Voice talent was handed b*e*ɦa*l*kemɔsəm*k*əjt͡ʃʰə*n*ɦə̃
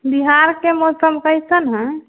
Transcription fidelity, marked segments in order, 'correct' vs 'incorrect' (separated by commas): incorrect, incorrect, correct, correct